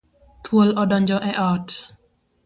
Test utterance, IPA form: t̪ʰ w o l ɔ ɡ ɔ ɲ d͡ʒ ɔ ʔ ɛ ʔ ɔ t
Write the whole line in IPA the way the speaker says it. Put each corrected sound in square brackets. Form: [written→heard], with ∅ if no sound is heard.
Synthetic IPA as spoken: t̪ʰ w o l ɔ [ɡ→d] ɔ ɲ d͡ʒ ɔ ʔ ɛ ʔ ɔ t